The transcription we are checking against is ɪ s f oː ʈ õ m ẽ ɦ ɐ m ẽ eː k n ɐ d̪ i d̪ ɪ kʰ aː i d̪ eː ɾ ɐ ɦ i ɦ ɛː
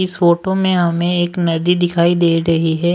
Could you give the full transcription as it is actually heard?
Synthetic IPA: ɪ s f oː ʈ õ m ẽ ɦ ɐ m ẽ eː k n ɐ d̪ i d̪ ɪ kʰ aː i d̪ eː ɾ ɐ ɦ i ɦ ɛː